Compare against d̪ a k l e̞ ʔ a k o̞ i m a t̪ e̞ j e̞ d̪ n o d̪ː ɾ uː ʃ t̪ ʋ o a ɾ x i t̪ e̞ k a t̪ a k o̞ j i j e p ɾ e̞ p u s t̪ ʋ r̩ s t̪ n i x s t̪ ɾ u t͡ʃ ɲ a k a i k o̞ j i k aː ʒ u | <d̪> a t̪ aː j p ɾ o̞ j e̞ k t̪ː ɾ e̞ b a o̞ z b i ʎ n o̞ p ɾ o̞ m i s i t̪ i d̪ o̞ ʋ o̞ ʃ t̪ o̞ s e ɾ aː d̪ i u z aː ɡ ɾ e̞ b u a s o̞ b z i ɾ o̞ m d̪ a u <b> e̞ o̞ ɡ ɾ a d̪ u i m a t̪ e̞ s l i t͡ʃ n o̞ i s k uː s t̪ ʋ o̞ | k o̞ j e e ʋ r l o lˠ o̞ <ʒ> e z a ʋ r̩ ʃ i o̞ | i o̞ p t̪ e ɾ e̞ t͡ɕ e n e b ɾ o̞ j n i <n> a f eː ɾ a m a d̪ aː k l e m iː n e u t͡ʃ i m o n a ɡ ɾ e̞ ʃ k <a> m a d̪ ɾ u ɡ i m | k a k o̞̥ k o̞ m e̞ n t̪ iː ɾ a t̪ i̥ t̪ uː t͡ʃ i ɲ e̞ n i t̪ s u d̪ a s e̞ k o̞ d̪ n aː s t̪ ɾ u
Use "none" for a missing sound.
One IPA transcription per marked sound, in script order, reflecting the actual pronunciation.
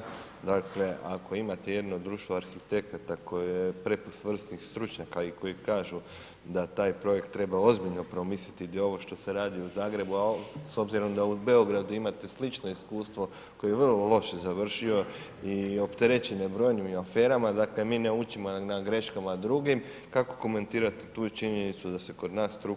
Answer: d̪, b, ʃ, m, a

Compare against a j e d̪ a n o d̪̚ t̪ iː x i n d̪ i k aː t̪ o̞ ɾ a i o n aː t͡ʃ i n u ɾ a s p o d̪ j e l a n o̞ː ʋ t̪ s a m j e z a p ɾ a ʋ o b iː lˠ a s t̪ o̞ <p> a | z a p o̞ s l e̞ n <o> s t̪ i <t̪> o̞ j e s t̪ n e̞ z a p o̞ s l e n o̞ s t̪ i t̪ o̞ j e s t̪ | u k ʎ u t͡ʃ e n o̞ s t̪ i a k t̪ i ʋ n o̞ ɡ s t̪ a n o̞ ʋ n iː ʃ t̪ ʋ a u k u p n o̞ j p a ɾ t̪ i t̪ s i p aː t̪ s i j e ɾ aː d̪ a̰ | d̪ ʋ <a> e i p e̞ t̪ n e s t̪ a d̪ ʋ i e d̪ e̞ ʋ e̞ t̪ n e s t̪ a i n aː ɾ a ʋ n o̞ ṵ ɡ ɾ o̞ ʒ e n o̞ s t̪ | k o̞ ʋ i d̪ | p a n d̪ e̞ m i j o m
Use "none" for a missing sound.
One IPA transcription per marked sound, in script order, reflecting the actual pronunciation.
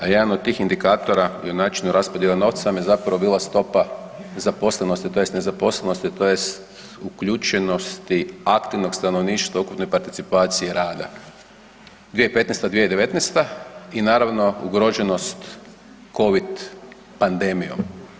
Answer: p, o, t̪, i

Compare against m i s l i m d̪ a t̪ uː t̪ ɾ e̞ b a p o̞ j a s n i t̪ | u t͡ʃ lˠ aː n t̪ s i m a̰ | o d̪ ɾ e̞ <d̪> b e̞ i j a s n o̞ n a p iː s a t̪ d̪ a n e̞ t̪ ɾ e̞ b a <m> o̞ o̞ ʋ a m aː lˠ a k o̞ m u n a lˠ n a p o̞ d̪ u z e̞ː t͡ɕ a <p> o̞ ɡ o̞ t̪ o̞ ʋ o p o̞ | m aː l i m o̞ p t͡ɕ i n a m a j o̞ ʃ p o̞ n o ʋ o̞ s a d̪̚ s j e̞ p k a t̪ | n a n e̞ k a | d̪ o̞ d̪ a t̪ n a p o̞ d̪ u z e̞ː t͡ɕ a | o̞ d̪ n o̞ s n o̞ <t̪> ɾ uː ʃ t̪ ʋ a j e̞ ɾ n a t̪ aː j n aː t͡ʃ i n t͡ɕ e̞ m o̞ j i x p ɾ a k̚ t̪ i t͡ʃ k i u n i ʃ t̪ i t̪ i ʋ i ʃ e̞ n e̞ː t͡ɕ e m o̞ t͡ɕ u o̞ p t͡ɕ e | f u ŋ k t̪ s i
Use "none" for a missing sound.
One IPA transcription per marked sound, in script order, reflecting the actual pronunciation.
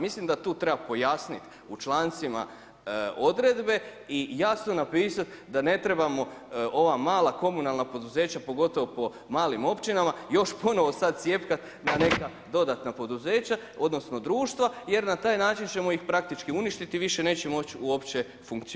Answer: d̪, m, p, d̪

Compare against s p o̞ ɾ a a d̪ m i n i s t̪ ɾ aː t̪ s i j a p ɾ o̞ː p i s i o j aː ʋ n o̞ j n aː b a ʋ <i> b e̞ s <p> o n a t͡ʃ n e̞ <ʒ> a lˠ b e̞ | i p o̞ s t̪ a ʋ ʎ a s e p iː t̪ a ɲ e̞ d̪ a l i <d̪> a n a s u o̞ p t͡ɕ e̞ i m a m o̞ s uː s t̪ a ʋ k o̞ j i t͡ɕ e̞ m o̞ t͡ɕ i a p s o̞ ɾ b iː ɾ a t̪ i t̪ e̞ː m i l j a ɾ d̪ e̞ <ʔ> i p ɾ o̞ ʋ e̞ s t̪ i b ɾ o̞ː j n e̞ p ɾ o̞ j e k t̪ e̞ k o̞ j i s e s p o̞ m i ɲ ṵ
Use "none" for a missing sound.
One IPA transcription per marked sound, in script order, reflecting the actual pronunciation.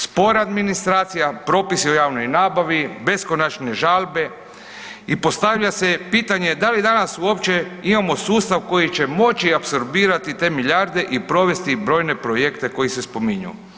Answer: i, k, ʒ, d̪, ʔ

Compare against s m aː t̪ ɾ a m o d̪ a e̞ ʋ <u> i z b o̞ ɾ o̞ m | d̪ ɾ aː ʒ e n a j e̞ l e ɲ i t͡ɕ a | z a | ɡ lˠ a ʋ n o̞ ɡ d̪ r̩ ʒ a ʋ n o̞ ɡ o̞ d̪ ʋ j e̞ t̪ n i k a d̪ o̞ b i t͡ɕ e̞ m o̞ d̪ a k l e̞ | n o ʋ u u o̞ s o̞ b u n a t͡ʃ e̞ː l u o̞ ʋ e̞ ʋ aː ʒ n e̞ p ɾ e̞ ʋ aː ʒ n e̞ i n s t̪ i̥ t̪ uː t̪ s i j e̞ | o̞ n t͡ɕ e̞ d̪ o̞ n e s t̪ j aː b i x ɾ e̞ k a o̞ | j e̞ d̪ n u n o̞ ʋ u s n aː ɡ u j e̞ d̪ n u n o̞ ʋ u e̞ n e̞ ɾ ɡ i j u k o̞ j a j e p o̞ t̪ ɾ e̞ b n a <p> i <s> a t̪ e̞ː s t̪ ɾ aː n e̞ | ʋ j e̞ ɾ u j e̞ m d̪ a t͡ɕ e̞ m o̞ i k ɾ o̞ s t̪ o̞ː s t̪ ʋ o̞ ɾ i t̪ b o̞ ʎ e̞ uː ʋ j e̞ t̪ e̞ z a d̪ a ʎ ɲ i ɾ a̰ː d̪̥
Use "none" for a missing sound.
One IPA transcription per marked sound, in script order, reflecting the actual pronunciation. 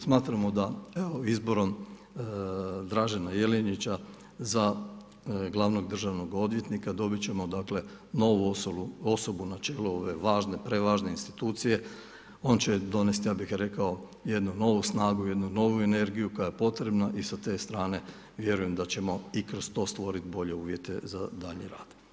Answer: o, ʔ, s

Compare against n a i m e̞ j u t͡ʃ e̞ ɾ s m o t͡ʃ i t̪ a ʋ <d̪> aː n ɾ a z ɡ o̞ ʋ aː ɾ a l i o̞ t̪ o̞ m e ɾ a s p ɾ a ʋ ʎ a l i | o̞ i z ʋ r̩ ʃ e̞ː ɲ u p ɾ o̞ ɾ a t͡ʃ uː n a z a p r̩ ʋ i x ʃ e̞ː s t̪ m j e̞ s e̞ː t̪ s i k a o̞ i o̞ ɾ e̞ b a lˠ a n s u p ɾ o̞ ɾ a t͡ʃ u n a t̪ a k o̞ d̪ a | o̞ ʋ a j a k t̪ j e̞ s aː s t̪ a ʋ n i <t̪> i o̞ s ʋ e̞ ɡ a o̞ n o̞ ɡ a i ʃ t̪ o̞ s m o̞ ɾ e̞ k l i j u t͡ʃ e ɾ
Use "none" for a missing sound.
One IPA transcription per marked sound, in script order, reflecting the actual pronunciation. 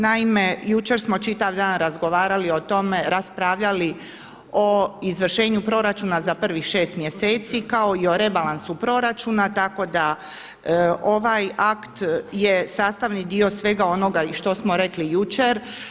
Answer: d̪, d̪

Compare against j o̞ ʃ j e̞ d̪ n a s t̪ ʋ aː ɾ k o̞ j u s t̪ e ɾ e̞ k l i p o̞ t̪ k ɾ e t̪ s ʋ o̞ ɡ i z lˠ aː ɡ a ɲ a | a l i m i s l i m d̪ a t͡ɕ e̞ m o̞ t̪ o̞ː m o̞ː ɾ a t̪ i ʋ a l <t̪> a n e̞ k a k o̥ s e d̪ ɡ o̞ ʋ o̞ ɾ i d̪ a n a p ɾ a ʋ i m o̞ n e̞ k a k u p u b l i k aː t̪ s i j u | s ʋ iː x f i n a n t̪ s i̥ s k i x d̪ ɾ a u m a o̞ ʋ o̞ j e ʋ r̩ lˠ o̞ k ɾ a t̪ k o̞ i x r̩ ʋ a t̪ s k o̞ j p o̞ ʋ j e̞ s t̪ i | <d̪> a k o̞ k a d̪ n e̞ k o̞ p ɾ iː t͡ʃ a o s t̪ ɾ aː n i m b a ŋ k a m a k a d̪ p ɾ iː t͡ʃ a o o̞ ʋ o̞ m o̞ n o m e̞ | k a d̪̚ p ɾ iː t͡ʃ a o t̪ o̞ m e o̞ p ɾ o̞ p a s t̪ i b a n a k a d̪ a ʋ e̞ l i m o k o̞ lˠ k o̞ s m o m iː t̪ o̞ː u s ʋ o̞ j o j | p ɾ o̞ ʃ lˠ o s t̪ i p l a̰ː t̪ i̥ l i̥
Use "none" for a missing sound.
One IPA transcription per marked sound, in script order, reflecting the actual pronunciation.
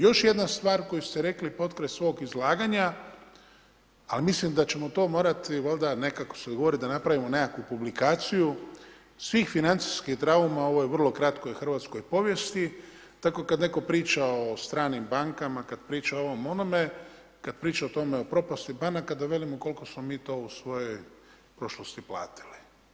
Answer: d̪, t̪

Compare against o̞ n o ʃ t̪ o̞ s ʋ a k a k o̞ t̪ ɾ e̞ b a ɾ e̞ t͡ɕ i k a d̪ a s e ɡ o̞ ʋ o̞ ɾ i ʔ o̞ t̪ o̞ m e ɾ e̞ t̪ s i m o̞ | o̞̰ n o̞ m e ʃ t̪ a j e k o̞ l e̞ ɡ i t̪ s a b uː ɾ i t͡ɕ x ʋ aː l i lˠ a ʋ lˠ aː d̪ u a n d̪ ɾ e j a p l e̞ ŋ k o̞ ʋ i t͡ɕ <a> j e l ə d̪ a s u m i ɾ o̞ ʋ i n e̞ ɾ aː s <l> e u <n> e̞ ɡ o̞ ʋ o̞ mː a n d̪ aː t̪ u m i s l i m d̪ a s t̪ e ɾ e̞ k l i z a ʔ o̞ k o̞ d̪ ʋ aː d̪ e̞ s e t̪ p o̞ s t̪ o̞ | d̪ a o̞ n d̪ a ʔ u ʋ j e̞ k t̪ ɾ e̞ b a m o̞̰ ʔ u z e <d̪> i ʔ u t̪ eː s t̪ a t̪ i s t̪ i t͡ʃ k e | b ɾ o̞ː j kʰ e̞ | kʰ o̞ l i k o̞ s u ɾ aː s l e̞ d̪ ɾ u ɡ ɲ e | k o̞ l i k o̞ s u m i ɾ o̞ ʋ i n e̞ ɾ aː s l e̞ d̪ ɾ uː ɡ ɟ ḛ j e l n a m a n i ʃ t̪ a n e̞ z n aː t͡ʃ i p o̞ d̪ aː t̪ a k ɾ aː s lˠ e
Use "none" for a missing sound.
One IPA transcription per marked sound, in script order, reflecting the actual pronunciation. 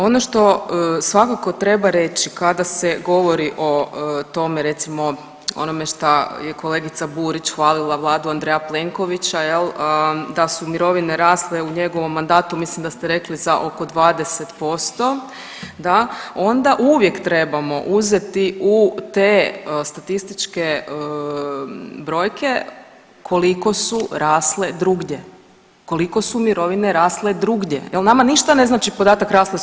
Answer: a, l, ɲ, t̪

